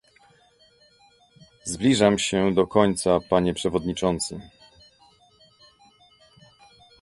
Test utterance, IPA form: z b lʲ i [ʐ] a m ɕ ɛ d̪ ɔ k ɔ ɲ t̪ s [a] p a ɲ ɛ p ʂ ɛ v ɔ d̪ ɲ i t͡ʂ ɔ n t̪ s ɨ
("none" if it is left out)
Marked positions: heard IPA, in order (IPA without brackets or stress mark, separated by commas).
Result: ʐ, a